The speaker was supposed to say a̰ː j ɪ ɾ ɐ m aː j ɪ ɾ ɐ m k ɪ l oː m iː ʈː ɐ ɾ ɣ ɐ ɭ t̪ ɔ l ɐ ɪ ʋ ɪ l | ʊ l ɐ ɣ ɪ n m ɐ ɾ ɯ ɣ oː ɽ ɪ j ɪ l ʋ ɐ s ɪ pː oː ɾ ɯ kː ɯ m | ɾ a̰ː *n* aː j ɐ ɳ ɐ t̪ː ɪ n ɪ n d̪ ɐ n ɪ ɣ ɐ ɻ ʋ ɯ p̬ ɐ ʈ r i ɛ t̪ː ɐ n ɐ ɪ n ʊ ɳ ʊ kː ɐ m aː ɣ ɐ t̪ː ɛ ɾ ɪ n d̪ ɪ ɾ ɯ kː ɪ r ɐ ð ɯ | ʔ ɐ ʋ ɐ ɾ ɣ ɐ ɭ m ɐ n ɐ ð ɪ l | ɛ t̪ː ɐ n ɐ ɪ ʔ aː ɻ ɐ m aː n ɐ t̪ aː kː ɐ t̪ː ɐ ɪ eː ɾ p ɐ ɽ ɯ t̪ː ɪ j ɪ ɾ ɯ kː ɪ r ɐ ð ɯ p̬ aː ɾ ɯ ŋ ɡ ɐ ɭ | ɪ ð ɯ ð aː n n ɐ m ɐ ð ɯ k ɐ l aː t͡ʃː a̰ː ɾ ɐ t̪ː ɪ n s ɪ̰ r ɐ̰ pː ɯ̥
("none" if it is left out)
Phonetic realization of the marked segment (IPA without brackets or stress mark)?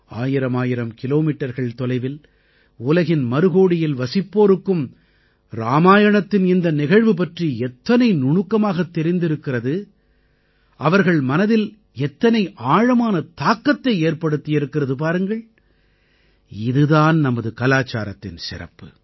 m